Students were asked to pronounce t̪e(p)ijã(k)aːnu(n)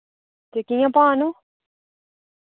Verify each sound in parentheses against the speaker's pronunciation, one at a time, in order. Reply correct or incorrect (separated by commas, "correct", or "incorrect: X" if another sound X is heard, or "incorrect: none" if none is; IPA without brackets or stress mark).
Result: incorrect: k, incorrect: p, incorrect: none